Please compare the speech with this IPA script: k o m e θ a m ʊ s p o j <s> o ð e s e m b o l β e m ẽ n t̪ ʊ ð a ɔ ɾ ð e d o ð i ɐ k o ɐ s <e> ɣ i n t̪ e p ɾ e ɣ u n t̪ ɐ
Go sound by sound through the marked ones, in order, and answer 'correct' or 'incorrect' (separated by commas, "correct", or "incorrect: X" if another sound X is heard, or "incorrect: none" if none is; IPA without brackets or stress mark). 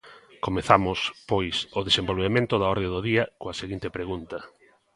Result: correct, correct